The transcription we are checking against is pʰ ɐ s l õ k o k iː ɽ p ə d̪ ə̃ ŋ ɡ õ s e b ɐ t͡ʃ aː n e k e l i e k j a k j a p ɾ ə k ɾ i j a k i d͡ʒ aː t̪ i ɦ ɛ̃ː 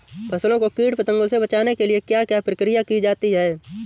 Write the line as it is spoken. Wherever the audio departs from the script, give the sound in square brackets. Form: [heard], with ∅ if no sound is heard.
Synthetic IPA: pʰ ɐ s l õ k o k iː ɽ p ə [t̪] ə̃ ŋ ɡ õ s e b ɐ t͡ʃ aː n e k e l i e k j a k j a p ɾ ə k ɾ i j a k i d͡ʒ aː t̪ i ɦ [ɛː]